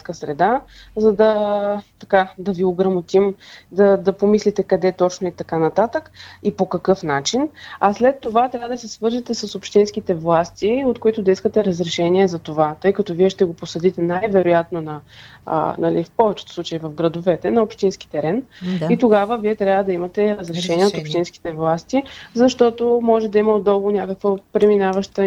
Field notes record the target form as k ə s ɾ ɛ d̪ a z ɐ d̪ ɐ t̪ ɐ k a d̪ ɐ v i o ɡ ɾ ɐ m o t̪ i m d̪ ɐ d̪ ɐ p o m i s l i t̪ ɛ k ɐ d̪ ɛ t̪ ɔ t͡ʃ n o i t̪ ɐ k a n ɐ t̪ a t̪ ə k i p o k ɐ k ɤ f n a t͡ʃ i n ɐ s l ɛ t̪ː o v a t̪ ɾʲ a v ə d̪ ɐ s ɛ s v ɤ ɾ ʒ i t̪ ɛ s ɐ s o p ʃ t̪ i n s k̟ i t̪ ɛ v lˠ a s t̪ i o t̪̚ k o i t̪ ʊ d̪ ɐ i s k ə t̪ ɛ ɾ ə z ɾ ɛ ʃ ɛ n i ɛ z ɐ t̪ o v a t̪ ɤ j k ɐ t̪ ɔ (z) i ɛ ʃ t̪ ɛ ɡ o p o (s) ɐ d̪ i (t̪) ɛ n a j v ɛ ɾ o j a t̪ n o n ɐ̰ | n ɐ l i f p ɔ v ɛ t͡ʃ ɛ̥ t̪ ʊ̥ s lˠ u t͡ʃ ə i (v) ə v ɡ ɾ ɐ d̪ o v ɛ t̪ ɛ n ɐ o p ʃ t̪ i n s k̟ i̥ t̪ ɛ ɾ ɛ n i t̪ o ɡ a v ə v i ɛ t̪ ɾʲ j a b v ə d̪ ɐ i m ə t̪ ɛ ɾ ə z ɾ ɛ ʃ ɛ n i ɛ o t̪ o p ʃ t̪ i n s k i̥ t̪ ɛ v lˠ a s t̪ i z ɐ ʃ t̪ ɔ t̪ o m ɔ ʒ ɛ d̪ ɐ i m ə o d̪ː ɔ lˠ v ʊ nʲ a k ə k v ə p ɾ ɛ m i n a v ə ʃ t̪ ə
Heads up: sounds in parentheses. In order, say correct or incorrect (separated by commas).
incorrect, correct, correct, correct